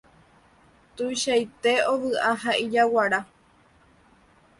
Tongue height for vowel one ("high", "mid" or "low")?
high